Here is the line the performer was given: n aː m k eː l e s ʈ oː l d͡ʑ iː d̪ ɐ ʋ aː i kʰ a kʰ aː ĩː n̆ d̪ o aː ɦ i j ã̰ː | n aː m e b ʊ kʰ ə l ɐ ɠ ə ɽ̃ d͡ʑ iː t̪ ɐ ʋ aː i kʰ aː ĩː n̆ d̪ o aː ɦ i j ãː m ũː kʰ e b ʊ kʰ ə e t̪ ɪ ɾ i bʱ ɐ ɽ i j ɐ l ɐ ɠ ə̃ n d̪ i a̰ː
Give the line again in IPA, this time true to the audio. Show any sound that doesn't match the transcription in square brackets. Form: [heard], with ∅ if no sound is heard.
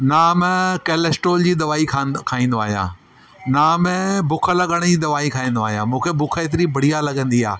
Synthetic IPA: n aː m k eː l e s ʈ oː l d͡ʑ iː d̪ ɐ ʋ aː i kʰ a kʰ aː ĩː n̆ d̪ o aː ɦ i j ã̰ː | n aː m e b ʊ kʰ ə l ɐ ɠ ə ɽ̃ d͡ʑ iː [d̪] ɐ ʋ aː i kʰ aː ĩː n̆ d̪ o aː ɦ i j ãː m ũː kʰ e b ʊ kʰ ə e t̪ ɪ ɾ i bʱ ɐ ɽ i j [a] l ɐ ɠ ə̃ n d̪ i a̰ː

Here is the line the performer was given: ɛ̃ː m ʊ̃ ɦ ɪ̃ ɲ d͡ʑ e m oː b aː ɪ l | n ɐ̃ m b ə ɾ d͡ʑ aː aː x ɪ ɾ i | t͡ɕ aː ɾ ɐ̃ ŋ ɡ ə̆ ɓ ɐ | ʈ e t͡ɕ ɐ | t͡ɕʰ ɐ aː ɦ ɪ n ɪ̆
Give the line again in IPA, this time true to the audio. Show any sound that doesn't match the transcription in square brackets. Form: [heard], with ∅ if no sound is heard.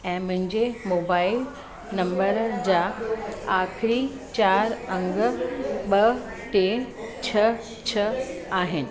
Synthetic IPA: ɛ̃ː m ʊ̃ ɦ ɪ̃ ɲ d͡ʑ e m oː b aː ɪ l | n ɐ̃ m b ə ɾ d͡ʑ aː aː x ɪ ɾ i | t͡ɕ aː ɾ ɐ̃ ŋ ɡ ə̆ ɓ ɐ | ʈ e [t͡ɕʰ] ɐ | t͡ɕʰ ɐ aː ɦ ɪ n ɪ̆

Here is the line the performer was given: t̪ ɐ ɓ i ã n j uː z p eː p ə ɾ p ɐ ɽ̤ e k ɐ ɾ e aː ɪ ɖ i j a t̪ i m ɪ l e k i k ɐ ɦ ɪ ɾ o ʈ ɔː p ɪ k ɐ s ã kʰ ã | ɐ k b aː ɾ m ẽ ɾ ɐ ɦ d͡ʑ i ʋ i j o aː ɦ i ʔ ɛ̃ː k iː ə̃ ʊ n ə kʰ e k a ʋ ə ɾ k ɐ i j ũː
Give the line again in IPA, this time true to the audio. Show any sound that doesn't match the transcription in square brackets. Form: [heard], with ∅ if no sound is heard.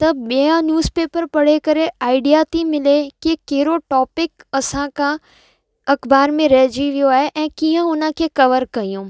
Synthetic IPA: t̪ ɐ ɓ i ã n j uː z p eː p ə ɾ p ɐ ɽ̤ e k ɐ ɾ e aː ɪ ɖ i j a t̪ i m ɪ l e k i k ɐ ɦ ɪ ɾ o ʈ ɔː p ɪ k ɐ s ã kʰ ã | ɐ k b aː ɾ m ẽ ɾ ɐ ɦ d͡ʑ i ʋ i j o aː ɦ [e] ʔ ɛ̃ː k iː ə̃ ʊ n ə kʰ e k [ɐ] ʋ ə ɾ k ɐ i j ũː

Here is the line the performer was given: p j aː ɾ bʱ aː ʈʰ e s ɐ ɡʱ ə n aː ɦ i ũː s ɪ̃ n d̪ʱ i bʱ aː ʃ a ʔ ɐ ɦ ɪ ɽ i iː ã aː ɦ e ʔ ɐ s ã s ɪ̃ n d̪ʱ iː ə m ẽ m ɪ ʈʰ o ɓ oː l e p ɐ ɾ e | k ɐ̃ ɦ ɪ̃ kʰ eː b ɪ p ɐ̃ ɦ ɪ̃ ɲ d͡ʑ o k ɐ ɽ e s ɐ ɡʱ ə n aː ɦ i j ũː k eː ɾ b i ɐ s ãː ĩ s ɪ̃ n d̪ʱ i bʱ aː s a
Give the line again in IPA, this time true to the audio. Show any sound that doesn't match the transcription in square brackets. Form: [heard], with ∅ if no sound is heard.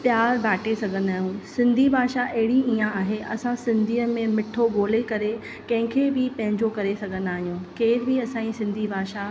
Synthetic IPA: p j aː ɾ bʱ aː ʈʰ e s ɐ ɡʱ ə n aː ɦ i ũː s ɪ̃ n d̪ʱ i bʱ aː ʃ a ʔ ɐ ɦ ɪ ɽ i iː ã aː ɦ e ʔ ɐ s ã s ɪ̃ n d̪ʱ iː ə m ẽ m ɪ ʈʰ o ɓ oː l e [k] ɐ ɾ e | k ɐ̃ ɦ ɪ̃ kʰ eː b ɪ p ɐ̃ ɦ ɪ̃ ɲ d͡ʑ o k ɐ [ɾ] e s ɐ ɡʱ ə n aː ɦ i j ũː k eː ɾ b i ɐ s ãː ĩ s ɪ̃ n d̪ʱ i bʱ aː [ʃ] a

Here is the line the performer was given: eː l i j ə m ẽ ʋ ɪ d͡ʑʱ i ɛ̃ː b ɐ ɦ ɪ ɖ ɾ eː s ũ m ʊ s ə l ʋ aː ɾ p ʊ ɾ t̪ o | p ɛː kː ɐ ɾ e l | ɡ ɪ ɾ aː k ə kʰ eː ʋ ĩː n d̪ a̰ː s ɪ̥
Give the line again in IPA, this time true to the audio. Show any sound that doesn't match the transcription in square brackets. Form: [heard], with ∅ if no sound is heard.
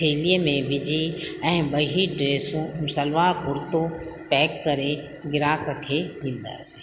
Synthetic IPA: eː l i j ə m ẽ ʋ ɪ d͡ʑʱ i ɛ̃ː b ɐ ɦ [i] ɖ ɾ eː s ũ m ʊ s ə l ʋ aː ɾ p ʊ ɾ t̪ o | p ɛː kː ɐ ɾ e [∅] | ɡ ɪ ɾ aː k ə kʰ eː ʋ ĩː n d̪ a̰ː s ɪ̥

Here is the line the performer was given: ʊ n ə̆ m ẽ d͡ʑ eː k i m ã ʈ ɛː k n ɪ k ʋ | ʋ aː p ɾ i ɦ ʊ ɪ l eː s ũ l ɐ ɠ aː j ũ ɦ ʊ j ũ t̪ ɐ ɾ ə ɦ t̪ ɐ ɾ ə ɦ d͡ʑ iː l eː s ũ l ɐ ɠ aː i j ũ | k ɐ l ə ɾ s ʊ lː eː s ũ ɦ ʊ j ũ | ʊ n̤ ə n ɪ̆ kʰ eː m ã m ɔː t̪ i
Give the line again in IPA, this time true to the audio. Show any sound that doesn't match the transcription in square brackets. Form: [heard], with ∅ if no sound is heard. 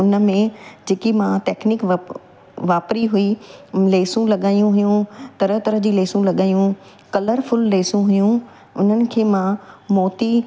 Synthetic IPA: ʊ n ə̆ m ẽ d͡ʑ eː k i m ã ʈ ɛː k n ɪ k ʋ | ʋ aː p ɾ i ɦ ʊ [i] l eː s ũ l ɐ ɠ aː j ũ ɦ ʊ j ũ t̪ ɐ ɾ ə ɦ t̪ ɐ ɾ ə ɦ d͡ʑ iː l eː s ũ l ɐ ɠ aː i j ũ | k ɐ l ə ɾ [f] ʊ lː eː s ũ ɦ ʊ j ũ | ʊ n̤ ə n ɪ̆ kʰ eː m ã m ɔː t̪ i

